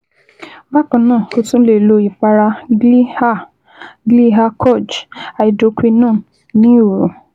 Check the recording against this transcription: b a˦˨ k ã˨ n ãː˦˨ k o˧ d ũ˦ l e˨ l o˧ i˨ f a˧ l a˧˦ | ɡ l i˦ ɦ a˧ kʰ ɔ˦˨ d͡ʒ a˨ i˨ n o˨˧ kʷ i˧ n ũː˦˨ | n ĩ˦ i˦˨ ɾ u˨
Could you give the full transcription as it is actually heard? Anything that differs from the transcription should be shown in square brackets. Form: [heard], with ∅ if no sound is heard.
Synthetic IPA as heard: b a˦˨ k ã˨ n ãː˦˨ k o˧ [t] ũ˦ l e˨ l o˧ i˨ f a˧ [ɾ] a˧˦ | ɡ l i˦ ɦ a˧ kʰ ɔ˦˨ d͡ʒ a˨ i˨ [d] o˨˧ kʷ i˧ n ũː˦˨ | n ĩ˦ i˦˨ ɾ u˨